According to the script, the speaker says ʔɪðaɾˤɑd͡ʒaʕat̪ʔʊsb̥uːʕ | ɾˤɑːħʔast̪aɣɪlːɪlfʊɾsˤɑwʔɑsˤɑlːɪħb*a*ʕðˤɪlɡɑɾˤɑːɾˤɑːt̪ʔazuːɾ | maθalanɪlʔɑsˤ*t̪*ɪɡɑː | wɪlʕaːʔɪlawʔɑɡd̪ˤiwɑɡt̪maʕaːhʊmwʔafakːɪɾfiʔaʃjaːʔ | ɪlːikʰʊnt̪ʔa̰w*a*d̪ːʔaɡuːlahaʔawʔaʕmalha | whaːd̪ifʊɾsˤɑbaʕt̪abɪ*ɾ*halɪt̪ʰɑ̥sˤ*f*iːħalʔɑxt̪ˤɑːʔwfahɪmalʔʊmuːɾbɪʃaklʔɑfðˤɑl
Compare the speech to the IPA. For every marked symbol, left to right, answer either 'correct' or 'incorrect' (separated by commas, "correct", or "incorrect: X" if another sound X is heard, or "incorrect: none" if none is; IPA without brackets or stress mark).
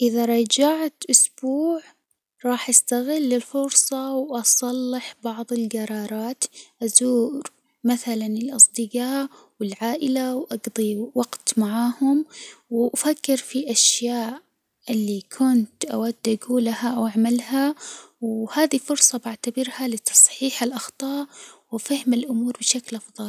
incorrect: ɑ, incorrect: d̪, correct, correct, incorrect: ħ